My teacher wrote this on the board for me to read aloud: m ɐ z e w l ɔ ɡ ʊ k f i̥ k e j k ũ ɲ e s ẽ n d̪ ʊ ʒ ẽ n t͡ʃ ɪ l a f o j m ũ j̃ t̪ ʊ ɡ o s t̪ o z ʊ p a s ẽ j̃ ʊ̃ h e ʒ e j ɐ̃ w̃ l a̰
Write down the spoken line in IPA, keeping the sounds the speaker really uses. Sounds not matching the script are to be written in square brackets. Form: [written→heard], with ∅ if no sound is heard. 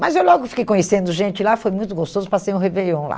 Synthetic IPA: m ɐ z e w l ɔ ɡ ʊ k f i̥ k e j k [ũ→õ] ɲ e s ẽ n d̪ ʊ ʒ ẽ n t͡ʃ ɪ l a f o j m ũ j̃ t̪ ʊ ɡ o s t̪ o z ʊ p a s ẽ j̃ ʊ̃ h e [ʒ→v] e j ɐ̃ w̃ l a̰